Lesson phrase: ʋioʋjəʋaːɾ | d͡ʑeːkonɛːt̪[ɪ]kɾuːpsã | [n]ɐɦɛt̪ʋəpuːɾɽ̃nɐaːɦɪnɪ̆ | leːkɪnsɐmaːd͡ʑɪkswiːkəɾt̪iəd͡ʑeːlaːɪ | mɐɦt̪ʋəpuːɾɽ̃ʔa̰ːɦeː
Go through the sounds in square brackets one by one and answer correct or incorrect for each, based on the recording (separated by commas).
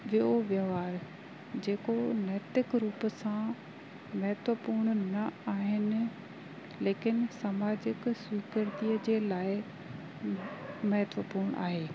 correct, incorrect